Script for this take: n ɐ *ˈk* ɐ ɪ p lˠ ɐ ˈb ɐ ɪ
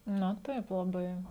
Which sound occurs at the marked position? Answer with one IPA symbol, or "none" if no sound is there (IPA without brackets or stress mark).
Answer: t